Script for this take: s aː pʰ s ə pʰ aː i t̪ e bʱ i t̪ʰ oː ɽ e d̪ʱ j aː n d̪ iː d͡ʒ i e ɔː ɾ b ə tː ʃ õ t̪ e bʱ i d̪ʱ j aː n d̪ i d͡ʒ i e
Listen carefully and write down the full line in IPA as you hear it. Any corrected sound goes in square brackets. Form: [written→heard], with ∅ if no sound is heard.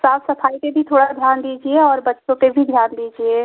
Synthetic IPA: s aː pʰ s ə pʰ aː i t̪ e bʱ i t̪ʰ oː ɽ [e→a] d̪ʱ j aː n d̪ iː d͡ʒ i e ɔː ɾ b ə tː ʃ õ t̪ e bʱ i d̪ʱ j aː n d̪ i d͡ʒ i e

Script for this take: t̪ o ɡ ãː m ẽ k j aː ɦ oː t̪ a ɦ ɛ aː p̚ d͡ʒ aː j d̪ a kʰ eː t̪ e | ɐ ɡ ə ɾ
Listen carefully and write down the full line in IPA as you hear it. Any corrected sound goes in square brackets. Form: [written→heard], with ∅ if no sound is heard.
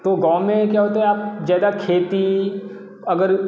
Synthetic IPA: t̪ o ɡ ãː m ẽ k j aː ɦ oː t̪ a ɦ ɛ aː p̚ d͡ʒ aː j d̪ a kʰ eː t̪ [e→i] | ɐ ɡ ə ɾ

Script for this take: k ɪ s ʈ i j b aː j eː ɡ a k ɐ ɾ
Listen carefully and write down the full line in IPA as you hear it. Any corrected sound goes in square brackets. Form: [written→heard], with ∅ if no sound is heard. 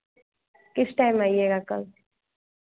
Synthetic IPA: k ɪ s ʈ [i→a] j [b→m] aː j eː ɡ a k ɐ [ɾ→l]

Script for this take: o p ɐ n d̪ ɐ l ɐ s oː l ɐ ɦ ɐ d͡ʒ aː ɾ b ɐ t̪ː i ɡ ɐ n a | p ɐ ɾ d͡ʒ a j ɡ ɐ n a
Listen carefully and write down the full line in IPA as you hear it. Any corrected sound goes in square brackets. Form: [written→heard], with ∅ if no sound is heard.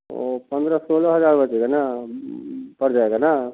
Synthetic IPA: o p ɐ n d̪ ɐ [l→ɾ] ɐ s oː l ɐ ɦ ɐ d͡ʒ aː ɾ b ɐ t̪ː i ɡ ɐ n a | p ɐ ɾ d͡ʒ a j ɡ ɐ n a

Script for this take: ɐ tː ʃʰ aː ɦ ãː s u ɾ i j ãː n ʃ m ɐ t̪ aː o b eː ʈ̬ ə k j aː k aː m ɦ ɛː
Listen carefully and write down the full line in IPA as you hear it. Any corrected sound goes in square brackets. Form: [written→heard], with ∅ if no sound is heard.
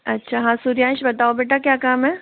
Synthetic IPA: ɐ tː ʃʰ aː ɦ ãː s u ɾ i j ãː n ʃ [m→b] ɐ t̪ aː o b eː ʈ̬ [ə→a] k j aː k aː m ɦ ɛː

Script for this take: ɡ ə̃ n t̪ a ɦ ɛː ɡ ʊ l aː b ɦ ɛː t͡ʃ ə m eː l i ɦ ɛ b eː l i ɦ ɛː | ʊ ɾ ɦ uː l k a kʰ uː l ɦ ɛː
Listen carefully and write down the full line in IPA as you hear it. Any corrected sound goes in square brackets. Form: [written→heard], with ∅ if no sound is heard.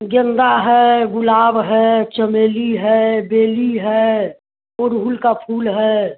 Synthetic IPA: ɡ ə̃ n [t̪→d̪] a ɦ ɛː ɡ ʊ l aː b ɦ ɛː t͡ʃ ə m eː l i ɦ ɛ b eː l i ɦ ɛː | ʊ ɾ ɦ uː l k a [kʰ→pʰ] uː l ɦ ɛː

